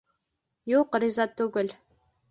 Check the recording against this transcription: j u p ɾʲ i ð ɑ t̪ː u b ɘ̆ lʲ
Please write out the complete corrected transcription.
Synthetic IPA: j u q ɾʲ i z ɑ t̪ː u ɡ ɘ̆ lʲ